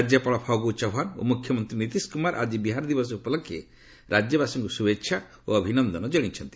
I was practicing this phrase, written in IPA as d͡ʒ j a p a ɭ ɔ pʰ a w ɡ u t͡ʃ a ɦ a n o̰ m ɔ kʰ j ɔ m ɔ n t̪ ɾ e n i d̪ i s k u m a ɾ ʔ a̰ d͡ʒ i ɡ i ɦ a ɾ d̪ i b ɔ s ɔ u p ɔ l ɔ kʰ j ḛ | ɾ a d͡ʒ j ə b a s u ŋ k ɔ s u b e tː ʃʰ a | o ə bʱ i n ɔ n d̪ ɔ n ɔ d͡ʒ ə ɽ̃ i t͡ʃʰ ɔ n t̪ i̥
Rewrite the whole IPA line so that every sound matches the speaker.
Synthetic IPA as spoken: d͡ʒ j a p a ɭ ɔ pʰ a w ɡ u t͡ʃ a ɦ a n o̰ m u kʰ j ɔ m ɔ n t̪ ɾ i n i t̪ i s k u m a ɾ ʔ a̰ d͡ʒ i b i ɦ a ɾ d̪ i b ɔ s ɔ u p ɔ l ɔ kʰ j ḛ | ɾ a d͡ʒ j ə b a s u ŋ k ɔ s u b e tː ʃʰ a | o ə bʱ i n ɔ n d̪ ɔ n ɔ d͡ʒ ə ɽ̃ i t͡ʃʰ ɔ n t̪ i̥